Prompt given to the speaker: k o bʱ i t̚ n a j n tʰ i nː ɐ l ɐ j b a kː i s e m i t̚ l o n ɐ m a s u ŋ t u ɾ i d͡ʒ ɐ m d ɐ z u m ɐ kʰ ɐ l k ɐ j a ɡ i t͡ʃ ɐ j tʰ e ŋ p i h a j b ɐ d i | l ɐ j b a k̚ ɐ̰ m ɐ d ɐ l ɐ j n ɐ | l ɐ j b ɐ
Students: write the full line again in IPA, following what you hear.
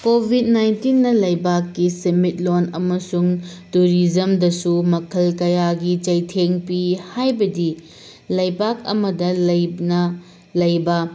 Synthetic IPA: k o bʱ i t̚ n a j n t i nː ɐ l ɐ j b a kː i s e m i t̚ l o n ɐ m ɐ s u ŋ t u ɾ i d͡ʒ ɐ m d ɐ s u m ɐ kʰ ɐ l k ɐ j a ɡ i t͡ʃ ɐ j tʰ e ŋ p i h a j b ɐ d i | l ɐ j b a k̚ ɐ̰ m ɐ d ɐ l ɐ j n ɐ | l ɐ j b ɐ

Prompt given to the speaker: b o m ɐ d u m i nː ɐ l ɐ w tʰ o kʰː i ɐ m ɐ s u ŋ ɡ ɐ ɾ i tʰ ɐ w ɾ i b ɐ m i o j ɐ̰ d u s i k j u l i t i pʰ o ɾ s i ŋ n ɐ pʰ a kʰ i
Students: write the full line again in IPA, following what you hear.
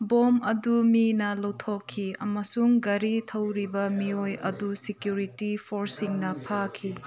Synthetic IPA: b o m ɐ d u m i n ɐ l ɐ w tʰ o kʰː i ɐ m ɐ s u ŋ ɡ ɐ ɾ i tʰ ɐ w ɾ i b ɐ m i o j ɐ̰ d u s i k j u ɾ i t i pʰ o ɾ s i ŋ n ɐ pʰ a kʰ i

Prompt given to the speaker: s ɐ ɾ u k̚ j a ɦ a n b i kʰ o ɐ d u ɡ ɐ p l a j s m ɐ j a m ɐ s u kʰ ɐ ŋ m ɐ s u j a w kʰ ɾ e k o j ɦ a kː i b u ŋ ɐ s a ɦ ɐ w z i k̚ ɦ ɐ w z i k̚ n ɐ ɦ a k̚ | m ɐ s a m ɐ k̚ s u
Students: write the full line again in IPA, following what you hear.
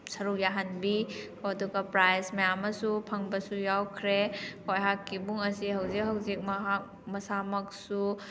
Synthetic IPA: s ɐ ɾ u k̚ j a ɦ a n b i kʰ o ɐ d u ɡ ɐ p ɾ a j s m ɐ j a m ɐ s u pʰ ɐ ŋ b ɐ s u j a w kʰ ɾ e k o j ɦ a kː i b u ŋ ɐ s i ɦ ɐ w z i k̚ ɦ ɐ w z i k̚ m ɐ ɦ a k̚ | m ɐ s a m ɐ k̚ s u

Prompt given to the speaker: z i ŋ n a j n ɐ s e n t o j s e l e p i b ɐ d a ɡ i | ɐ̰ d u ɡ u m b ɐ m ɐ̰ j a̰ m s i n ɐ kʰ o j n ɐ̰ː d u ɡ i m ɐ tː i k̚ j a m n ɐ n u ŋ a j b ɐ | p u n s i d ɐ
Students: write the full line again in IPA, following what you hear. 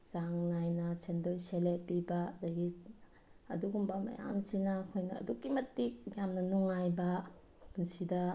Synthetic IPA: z a ŋ n a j n ɐ s e n d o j s e l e p i b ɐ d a ɡ i | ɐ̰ d u ɡ u m b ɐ m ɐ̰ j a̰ m s i n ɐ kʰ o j n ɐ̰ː d u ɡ i m ɐ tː i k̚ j a m n ɐ n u ŋ a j b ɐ | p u n s i d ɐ

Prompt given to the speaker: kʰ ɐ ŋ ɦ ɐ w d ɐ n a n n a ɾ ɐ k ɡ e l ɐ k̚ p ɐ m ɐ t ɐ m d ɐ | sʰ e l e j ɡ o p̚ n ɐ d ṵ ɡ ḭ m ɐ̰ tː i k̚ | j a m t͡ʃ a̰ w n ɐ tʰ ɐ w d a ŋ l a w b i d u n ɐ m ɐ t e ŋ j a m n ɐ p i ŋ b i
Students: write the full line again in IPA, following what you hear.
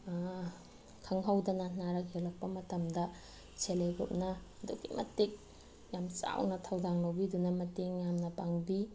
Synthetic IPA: kʰ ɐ ŋ ɦ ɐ w d ɐ n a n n a ɾ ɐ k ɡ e l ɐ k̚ p ɐ m ɐ t ɐ m d ɐ | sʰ e l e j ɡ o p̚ n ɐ d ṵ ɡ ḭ m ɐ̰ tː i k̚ | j a m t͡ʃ a̰ w n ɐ tʰ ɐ w d a ŋ l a w b i d u n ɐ m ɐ t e ŋ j a m n ɐ p a ŋ b i

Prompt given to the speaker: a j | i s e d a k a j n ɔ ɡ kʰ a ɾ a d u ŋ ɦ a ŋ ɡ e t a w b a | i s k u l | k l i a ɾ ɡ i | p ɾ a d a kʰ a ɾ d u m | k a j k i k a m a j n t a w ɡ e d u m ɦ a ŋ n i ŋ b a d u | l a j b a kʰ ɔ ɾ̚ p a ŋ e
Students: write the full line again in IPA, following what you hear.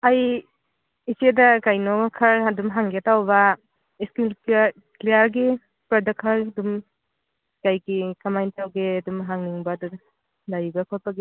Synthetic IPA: a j | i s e d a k a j n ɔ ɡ kʰ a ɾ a d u m ɦ a ŋ ɡ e t a w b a | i s k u l | k l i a ɾ ɡ i | p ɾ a d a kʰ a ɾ d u m | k a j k i k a m a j n t a w ɡ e d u m ɦ a ŋ n i ŋ b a d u | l a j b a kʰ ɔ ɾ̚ p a ɡ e

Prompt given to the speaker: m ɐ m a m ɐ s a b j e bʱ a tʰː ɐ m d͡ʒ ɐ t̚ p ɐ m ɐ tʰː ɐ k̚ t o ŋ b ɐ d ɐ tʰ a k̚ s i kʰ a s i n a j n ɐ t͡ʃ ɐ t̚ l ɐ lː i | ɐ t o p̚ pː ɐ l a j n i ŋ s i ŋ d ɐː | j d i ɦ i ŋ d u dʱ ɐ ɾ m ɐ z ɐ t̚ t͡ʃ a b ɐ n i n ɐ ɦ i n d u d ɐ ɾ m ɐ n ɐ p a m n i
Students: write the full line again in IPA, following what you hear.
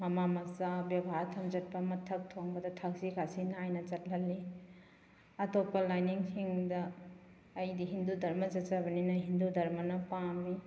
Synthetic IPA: m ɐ m a m ɐ s a b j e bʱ a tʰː ɐ m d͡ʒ ɐ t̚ p ɐ m ɐ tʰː ɐ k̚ tʰ o ŋ b ɐ d ɐ tʰ a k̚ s i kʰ a s i n a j n ɐ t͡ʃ ɐ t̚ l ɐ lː i | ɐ t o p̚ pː ɐ l a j n i ŋ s i ŋ d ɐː | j d i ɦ i n d u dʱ ɐ ɾ m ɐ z ɐ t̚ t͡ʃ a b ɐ n i n ɐ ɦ i n d u d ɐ ɾ m ɐ n ɐ p a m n i

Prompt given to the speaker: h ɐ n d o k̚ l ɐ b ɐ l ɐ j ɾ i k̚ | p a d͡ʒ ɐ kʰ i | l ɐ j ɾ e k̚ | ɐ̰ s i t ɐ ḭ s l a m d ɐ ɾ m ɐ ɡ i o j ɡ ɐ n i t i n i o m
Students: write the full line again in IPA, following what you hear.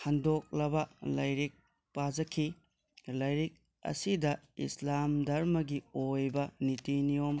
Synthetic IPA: h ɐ n d o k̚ l ɐ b ɐ l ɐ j ɾ i k̚ | p a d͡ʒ ɐ kʰ i | l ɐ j ɾ i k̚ | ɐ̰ s i d ɐ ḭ s l a m d ɐ ɾ m ɐ ɡ i o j b ɐ n i t i n i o m

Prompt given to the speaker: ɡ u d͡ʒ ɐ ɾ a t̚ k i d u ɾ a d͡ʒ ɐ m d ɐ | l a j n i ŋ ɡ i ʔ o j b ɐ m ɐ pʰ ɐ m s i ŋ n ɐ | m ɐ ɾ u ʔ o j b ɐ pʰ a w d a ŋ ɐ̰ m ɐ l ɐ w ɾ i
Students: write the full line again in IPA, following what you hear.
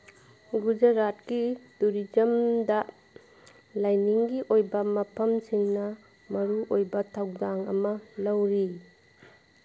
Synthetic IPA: ɡ u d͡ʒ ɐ ɾ a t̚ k i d u ɾ i d͡ʒ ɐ m d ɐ | l a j n i ŋ ɡ i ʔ o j b ɐ m ɐ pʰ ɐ m s i ŋ n ɐ | m ɐ ɾ u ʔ o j b ɐ tʰ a w d a ŋ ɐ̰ m ɐ l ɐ w ɾ i

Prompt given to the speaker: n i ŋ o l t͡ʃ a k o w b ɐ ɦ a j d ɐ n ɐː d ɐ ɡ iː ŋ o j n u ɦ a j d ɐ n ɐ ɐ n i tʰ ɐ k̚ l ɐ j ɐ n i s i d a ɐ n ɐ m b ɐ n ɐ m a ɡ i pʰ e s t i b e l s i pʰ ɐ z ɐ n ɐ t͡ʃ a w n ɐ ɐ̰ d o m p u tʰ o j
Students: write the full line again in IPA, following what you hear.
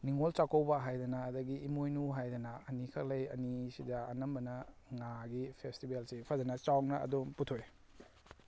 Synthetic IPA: n i ŋ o l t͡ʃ a k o w b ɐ ɦ a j d ɐ n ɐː d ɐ ɡ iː m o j n u ɦ a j d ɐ n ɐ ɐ n i kʰ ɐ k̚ l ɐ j ɐ n i s i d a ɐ n ɐ m b ɐ n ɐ ŋ a ɡ i pʰ e s t i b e l s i pʰ ɐ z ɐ n ɐ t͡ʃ a w n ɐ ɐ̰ d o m p u tʰ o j

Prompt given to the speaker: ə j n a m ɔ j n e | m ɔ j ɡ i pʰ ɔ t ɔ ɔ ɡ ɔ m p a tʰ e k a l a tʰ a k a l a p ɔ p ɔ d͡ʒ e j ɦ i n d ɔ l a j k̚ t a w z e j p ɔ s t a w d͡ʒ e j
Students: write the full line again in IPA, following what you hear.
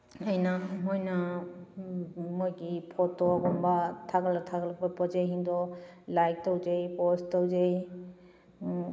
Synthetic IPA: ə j n a m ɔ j n a | m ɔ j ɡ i pʰ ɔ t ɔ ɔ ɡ ɔ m b a tʰ a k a l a tʰ a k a l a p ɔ p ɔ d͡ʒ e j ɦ i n d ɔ l a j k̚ t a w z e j p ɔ s t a w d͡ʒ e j

